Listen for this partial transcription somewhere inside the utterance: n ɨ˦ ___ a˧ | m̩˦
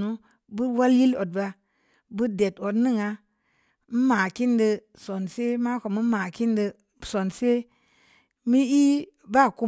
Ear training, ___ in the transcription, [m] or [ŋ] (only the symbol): ŋ